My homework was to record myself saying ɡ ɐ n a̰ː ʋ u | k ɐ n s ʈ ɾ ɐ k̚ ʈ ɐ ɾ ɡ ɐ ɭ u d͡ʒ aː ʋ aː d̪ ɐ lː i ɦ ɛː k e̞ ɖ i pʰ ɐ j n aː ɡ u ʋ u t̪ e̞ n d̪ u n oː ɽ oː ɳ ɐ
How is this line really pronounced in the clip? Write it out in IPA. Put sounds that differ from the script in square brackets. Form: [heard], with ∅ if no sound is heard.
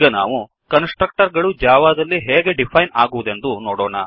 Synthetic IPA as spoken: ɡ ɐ n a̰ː ʋ u | k ɐ n s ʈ ɾ ɐ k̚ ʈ ɐ ɾ ɡ ɐ ɭ u d͡ʒ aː ʋ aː d̪ ɐ lː i ɦ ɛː [ɡ] e̞ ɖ i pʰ ɐ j n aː ɡ u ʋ u [d̪] e̞ n d̪ u n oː ɽ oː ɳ ɐ